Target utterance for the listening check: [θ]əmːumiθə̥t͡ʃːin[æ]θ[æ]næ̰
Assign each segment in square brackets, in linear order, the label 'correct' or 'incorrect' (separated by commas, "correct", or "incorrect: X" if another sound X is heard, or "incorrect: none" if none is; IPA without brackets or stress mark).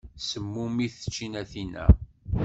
incorrect: s, correct, incorrect: i